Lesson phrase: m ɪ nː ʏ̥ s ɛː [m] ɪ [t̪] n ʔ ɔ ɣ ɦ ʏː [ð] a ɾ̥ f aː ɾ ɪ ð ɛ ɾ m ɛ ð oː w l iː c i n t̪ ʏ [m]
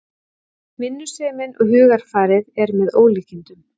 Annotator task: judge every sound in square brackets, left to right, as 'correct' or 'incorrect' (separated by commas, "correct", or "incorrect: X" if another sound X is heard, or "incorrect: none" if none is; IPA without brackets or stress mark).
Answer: correct, incorrect: none, incorrect: ɣ, correct